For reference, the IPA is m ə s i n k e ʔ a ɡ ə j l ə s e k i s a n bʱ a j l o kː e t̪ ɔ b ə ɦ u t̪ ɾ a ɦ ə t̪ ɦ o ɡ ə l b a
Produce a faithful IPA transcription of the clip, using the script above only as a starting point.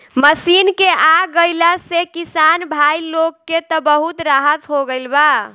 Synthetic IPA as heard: m ə s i n k e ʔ a ɡ ə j l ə s e k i s a n bʱ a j l o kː e t̪ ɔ b ə ɦ u t̪ ɾ a ɦ ə t̪ ɦ o ɡ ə l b a